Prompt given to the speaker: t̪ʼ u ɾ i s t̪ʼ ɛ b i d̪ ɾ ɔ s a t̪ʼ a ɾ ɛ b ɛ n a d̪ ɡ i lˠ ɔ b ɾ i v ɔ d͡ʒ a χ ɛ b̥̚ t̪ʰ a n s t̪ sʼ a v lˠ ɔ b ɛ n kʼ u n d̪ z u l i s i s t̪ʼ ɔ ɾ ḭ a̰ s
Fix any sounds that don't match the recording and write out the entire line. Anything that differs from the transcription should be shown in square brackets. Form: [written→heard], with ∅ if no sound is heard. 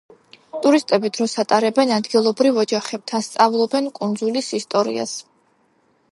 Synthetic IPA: t̪ʼ u ɾ i s t̪ʼ ɛ b i d̪ ɾ ɔ s a t̪ʼ a ɾ ɛ b ɛ n a d̪ ɡ i lˠ ɔ b ɾ i v ɔ d͡ʒ a χ ɛ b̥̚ t̪ʰ a n s t̪ sʼ a v lˠ ɔ b ɛ n kʼ u n d̪ z u l i s i s t̪ʼ ɔ ɾ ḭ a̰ s